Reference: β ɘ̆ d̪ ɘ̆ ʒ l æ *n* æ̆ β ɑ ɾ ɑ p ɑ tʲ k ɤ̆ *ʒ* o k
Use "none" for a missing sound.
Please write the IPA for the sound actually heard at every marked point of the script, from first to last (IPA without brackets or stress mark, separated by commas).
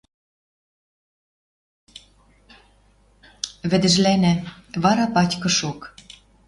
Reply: n, ʃ